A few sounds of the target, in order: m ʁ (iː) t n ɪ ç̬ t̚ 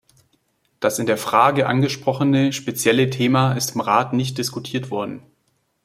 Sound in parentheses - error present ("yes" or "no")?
yes